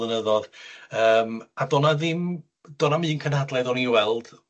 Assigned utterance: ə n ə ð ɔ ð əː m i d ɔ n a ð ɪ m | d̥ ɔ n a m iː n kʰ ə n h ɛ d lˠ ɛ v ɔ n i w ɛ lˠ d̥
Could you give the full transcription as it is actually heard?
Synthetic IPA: ə n ə ð ɔ ð əː m a d ɔ n a ð ɪ m | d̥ ɔ n a m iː n kʰ ə n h a d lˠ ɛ ð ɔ n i w ɛ lˠ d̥